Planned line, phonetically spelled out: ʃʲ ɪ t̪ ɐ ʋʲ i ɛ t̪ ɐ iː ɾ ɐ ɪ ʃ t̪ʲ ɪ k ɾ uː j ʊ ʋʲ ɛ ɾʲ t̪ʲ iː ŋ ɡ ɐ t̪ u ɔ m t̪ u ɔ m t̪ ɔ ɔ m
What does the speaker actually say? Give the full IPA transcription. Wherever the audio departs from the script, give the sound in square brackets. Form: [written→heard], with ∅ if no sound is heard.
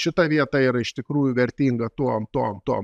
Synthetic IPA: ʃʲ ɪ t̪ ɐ ʋʲ i ɛ t̪ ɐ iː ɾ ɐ ɪ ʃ t̪ʲ ɪ k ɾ uː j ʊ ʋʲ ɛ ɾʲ t̪ʲ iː ŋ ɡ ɐ t̪ u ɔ m t̪ u ɔ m t̪ [ɔ→u] ɔ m